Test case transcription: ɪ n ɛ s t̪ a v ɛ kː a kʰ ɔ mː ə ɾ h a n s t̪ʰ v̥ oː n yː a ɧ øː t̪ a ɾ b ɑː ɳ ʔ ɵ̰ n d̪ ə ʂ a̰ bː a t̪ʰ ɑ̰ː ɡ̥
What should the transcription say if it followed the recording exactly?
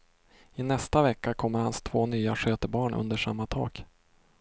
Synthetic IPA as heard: ɪ n ɛ s t̪ a v ɛ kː a kʰ ɔ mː ə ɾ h a n s t̪ʰ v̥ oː n yː a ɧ øː t̪ ə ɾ b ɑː ɳ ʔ ɵ̰ n d̪ ə ʂ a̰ mː a t̪ʰ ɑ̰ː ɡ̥